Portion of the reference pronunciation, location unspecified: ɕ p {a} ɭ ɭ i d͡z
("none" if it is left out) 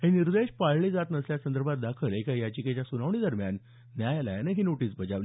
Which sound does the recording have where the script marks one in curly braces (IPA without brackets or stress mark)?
a